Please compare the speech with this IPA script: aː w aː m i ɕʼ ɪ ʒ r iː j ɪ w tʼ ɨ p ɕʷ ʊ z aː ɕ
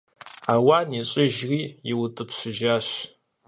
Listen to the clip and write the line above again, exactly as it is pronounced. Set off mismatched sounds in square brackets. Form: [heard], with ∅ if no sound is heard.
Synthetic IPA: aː w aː [n] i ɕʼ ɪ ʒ r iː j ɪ w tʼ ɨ p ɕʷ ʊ [ʒ] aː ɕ